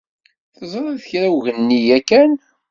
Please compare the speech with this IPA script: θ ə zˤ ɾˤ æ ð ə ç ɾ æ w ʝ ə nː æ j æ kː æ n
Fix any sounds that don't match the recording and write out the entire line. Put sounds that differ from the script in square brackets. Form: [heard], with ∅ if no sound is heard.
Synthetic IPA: θ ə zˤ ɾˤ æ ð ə ç ɾ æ w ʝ ə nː [i] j æ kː æ n